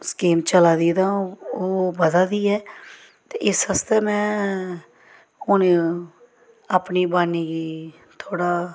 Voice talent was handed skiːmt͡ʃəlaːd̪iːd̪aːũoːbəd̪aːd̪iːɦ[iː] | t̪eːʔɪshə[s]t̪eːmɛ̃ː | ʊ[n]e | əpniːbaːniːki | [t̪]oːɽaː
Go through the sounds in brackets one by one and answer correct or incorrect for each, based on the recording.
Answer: incorrect: ɛː, correct, correct, incorrect: t̪ʰ

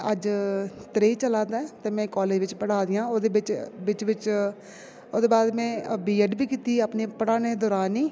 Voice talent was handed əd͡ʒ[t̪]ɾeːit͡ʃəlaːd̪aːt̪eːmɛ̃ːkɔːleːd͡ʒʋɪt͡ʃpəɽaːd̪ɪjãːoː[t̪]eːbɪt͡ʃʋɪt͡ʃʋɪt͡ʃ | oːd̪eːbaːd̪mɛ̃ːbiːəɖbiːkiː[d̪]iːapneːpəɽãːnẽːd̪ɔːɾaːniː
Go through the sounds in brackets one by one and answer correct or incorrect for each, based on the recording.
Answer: correct, incorrect: d̪, incorrect: t̪

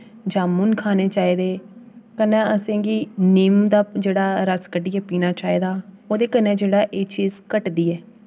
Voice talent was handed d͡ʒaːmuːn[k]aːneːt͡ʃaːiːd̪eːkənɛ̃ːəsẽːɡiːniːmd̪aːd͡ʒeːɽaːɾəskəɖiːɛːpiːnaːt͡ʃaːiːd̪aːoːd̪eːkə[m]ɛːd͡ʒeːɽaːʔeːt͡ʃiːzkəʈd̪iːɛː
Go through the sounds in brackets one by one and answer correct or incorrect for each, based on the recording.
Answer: incorrect: kʰ, incorrect: n

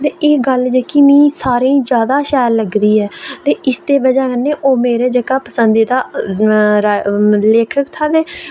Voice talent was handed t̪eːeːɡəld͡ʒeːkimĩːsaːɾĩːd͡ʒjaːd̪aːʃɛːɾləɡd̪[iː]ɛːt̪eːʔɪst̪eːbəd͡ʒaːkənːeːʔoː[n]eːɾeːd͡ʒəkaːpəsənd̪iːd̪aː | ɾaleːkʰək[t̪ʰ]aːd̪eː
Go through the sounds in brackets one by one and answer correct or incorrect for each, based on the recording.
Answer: correct, incorrect: m, correct

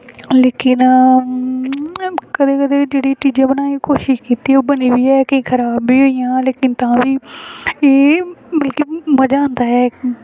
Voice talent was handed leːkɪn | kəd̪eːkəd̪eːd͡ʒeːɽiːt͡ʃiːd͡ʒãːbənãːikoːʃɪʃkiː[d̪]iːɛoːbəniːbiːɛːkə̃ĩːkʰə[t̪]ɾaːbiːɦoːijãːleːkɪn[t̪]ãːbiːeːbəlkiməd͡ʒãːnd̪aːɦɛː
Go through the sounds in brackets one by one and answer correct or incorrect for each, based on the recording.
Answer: incorrect: t̪, incorrect: none, correct

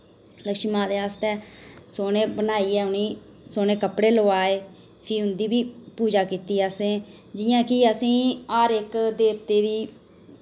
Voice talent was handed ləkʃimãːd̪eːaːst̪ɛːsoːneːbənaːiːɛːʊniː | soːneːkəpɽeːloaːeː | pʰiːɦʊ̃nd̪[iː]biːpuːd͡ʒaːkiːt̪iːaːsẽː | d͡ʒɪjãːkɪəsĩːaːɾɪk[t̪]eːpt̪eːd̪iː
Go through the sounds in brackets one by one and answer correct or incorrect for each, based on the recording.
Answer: correct, incorrect: d̪

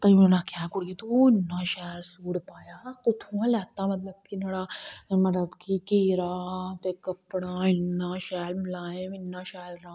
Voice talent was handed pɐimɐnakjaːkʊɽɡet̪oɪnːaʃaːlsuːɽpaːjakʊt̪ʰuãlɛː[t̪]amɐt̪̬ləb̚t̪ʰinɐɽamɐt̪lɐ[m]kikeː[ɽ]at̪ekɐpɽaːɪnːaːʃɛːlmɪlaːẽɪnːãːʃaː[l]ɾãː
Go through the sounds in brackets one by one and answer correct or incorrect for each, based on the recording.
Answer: correct, incorrect: b, incorrect: ɾ, correct

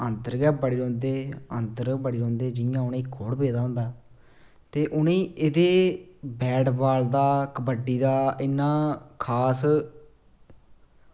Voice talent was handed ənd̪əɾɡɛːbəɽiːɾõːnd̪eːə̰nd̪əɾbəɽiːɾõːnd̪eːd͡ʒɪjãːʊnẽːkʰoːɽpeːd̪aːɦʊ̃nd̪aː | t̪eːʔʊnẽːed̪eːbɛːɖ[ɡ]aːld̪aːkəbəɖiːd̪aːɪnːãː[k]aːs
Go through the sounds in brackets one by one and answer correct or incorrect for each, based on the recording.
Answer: incorrect: b, incorrect: kʰ

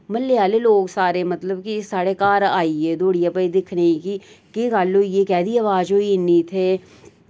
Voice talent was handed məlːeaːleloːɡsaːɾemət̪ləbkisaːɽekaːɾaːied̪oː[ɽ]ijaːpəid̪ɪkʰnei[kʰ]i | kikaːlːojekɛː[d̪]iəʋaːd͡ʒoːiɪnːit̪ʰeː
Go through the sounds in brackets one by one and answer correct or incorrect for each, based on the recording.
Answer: correct, incorrect: k, correct

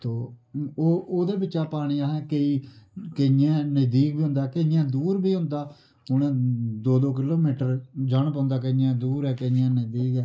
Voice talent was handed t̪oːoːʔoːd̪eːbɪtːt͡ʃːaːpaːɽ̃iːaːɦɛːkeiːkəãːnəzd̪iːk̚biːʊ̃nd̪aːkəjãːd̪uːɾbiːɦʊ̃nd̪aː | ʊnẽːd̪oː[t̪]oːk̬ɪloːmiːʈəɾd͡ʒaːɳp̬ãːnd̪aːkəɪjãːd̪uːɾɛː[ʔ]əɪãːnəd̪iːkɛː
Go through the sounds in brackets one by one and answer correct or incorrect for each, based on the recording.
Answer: incorrect: d̪, incorrect: k

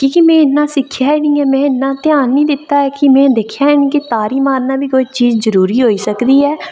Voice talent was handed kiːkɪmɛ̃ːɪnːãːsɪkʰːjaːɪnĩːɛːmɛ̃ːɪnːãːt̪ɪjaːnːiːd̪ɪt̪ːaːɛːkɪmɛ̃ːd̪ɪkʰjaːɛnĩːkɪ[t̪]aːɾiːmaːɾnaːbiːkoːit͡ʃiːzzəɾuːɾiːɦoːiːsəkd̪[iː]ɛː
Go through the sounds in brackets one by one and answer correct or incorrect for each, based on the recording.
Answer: correct, correct

